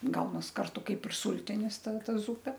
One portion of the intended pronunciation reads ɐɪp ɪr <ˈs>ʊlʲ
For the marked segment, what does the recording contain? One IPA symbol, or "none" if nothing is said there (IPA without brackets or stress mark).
s